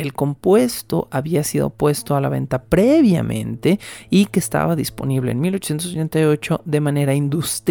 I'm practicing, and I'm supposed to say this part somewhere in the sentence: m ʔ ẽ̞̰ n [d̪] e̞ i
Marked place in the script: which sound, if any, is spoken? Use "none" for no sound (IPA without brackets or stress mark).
t̪